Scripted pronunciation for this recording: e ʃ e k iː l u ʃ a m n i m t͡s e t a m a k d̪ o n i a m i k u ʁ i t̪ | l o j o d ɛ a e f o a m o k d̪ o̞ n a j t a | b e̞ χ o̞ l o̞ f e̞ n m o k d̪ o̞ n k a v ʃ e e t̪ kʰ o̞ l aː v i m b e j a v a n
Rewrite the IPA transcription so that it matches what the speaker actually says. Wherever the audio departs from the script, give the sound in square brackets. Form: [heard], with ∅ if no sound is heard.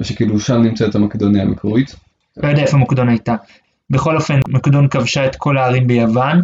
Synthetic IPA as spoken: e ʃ e k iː l u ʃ a m n i m t͡s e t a m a k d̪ o n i a m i k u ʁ i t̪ | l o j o d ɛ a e f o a m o k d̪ o̞ n a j t a | b e̞ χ o̞ l o̞ f e̞ n m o k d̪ o̞ n k a v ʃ [a] e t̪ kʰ o̞ l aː [ʁ] i m b e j a v a n